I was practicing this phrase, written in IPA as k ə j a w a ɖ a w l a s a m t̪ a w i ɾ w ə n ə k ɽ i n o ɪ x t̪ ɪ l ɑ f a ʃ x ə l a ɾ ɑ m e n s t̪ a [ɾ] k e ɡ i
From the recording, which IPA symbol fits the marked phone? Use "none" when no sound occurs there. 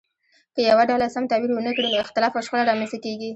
none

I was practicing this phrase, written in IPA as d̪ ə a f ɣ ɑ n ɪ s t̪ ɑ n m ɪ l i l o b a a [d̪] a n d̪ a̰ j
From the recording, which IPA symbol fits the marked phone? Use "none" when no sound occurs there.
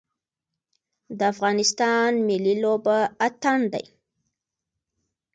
t̪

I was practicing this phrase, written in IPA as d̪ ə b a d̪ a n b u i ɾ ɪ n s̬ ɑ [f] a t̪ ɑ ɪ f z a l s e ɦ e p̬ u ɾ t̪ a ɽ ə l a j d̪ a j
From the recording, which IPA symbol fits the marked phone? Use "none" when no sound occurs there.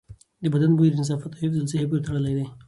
f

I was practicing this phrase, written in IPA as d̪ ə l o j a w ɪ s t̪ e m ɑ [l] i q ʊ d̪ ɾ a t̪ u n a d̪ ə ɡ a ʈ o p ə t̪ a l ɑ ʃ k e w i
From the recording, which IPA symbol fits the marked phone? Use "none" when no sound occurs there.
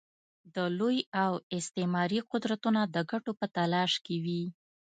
ɾ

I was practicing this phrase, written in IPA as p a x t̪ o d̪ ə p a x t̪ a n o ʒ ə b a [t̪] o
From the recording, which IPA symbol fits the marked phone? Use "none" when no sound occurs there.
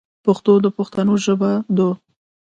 d̪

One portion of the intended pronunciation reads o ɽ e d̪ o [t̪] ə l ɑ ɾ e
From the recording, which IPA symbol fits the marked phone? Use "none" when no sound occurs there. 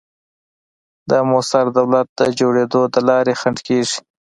d̪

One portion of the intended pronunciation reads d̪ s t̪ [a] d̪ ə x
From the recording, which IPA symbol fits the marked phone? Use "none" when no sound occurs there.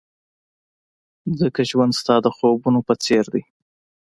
ɑ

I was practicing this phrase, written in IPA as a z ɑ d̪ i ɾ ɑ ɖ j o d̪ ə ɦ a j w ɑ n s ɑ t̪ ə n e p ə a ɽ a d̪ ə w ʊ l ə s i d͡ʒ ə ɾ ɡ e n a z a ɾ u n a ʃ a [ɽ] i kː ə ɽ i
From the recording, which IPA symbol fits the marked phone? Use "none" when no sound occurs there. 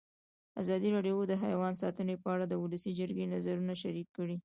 ɾ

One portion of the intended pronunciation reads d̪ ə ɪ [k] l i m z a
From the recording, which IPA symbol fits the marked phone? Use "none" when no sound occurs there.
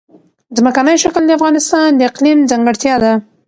q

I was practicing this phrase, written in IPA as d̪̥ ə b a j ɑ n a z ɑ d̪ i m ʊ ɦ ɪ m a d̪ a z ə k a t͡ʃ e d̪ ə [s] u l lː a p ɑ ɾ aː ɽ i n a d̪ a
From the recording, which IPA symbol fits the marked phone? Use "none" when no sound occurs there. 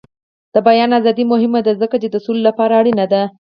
s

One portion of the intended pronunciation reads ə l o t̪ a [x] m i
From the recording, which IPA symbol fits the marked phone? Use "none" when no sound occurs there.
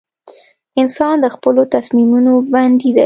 s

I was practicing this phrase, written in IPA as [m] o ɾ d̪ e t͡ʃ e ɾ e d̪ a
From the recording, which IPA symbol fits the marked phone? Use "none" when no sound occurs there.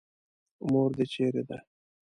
m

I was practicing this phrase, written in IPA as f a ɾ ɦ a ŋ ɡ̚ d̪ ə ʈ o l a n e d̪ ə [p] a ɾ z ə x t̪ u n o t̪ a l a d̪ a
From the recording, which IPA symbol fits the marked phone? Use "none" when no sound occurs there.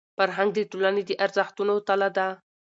ʔ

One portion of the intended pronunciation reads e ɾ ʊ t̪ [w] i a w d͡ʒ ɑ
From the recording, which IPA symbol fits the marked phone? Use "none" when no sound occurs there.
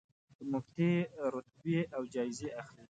b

